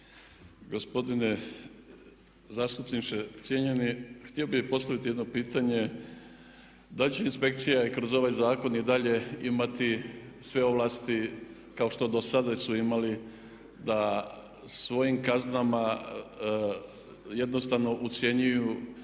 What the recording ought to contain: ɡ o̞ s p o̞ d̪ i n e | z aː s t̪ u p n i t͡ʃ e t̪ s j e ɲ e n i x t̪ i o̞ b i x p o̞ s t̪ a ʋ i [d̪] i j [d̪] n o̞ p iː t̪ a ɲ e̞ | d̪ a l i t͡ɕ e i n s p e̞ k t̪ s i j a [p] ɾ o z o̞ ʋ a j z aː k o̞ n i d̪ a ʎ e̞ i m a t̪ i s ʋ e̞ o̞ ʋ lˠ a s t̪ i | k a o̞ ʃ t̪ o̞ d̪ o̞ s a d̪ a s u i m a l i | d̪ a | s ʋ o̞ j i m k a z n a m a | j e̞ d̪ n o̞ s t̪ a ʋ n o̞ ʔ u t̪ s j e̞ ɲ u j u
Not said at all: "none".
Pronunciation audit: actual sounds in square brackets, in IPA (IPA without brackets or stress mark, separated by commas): t̪, d̪, k